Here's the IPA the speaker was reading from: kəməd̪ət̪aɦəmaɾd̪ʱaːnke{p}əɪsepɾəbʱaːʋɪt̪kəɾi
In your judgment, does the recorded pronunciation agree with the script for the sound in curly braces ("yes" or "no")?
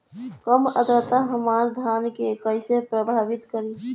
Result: no